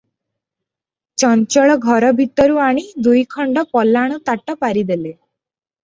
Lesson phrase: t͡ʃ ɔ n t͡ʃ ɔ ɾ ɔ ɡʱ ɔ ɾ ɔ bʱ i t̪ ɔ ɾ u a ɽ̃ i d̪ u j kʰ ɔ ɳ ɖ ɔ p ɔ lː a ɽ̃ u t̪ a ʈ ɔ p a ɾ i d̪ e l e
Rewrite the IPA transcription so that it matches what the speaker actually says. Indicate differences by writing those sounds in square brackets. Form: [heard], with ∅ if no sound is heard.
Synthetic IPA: t͡ʃ ɔ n t͡ʃ ɔ [ɭ] ɔ ɡʱ ɔ ɾ ɔ bʱ i t̪ ɔ ɾ u a ɽ̃ i d̪ u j kʰ ɔ ɳ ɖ ɔ p ɔ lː a ɽ̃ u t̪ a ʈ ɔ p a ɾ i d̪ e l e